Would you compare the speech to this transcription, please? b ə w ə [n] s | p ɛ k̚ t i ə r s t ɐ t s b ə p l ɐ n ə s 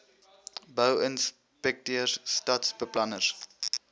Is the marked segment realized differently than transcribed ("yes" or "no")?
no